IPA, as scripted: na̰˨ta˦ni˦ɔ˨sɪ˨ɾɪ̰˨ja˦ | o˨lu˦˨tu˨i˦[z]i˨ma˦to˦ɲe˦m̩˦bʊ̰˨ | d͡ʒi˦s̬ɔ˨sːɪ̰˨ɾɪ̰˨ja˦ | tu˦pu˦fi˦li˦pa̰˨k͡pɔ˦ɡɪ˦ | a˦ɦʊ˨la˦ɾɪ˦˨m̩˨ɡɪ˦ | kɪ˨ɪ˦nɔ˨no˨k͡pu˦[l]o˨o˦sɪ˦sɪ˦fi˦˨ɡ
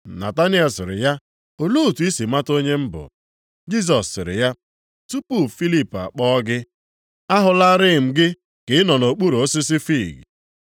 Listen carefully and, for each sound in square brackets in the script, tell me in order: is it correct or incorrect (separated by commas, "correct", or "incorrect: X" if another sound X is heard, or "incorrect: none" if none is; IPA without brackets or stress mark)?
incorrect: s, incorrect: ɾ